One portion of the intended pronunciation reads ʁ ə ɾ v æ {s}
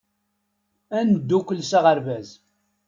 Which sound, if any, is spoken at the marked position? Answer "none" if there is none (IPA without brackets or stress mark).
z